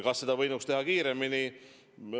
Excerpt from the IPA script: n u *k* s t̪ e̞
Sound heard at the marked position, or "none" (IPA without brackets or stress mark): k